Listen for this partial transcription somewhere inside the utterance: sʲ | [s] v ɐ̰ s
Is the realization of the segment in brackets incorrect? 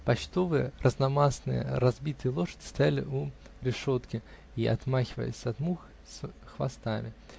yes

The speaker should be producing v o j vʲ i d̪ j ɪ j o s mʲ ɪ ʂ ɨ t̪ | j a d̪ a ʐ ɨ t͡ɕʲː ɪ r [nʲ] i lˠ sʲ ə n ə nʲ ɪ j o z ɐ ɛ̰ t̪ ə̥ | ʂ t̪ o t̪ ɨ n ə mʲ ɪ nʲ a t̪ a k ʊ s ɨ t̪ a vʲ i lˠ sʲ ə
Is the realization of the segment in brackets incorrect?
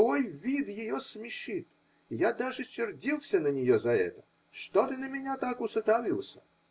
yes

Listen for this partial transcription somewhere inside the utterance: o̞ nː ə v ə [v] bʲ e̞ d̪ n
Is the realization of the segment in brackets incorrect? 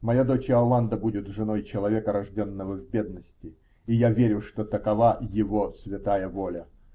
no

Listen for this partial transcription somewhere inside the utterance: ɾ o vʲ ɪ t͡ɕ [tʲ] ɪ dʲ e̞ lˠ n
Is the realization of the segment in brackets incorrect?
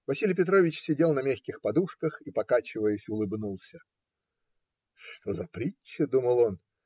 yes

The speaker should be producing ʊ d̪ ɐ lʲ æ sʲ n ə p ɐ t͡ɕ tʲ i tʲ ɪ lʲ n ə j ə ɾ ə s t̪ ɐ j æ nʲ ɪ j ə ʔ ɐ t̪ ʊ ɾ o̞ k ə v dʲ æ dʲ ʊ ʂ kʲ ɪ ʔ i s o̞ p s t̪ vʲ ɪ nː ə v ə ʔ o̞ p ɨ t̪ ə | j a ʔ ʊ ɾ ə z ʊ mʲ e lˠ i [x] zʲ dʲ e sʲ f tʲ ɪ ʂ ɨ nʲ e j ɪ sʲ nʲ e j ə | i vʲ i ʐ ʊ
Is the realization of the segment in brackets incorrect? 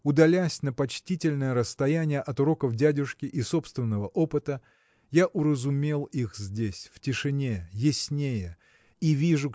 no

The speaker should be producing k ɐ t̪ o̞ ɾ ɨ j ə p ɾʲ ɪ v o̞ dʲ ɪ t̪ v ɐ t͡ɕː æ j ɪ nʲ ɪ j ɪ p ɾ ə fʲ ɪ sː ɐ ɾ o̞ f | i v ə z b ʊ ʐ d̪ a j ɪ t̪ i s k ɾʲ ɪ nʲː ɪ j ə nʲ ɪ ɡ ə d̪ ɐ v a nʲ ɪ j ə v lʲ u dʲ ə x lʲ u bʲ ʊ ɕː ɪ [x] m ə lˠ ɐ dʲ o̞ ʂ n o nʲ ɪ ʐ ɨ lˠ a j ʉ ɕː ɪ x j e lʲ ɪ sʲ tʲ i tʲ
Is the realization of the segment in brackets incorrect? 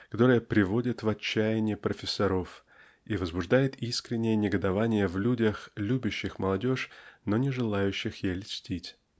no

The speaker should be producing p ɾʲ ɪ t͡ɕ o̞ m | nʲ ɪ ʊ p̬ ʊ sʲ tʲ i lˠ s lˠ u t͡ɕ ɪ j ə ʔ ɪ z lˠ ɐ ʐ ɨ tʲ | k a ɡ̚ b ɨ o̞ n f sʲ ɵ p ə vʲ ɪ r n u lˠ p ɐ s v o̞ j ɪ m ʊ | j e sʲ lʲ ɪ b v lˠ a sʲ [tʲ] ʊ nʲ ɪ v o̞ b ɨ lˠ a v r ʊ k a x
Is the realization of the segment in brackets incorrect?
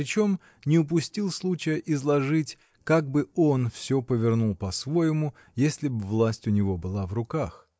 no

